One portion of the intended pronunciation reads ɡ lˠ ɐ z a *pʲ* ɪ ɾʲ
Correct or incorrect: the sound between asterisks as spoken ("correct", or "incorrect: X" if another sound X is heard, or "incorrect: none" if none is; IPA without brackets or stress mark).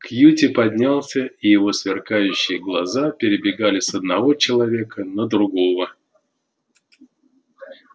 correct